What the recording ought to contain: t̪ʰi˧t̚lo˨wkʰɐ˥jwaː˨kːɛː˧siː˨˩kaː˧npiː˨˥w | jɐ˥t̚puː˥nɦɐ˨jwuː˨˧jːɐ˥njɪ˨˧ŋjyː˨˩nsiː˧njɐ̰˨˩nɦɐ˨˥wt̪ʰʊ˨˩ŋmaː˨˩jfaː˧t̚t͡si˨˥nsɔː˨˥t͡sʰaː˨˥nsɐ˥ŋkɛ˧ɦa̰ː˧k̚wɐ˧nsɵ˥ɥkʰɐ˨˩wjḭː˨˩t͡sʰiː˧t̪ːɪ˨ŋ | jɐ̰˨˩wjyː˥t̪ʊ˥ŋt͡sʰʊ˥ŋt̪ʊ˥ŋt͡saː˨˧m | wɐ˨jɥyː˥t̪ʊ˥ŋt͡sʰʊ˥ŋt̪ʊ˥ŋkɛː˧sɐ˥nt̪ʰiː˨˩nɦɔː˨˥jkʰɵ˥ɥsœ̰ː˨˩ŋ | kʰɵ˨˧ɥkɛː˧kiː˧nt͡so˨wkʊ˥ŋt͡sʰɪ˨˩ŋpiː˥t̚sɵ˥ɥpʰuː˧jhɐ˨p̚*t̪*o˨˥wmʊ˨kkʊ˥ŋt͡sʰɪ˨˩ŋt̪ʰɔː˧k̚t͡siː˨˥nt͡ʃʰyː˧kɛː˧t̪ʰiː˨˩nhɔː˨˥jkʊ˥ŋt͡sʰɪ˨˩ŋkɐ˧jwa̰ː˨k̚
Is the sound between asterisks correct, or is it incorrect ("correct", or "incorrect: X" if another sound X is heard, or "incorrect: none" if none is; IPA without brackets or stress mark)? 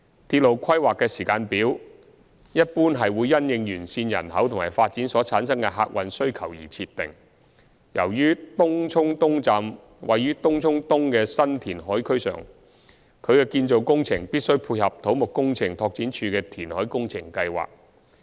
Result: incorrect: t̪ʰ